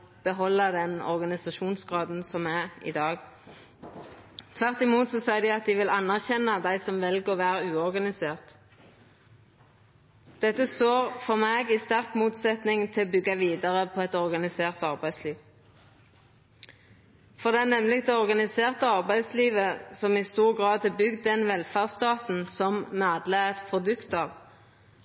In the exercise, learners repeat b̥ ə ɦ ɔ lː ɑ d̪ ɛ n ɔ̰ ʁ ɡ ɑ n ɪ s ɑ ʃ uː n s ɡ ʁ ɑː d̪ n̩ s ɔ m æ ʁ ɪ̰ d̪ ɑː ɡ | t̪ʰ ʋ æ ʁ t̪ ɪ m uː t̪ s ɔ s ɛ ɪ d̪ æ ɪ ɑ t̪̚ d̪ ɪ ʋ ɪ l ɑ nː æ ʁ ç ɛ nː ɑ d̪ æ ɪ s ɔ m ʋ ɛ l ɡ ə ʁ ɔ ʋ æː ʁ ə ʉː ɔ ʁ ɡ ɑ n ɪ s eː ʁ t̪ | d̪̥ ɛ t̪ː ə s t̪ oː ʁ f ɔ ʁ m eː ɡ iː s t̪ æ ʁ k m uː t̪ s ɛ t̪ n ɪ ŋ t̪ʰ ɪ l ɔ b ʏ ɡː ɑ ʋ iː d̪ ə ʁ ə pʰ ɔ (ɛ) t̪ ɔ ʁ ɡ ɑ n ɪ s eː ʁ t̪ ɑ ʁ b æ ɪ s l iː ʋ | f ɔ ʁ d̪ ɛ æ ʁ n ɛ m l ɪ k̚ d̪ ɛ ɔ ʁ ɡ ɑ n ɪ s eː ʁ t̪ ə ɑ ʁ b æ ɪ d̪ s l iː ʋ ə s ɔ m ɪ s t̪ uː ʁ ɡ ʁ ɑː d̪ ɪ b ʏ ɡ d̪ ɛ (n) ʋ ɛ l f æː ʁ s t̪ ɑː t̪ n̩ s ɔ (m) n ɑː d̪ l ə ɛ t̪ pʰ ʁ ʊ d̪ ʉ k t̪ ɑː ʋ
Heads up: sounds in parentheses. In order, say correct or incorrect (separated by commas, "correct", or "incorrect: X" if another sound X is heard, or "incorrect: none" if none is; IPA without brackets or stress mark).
correct, correct, correct